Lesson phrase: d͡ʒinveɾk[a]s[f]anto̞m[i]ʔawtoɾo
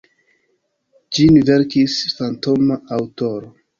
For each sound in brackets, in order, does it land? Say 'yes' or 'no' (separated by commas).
no, yes, no